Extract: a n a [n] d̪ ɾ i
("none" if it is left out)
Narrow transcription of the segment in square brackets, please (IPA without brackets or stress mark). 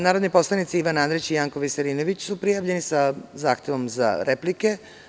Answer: n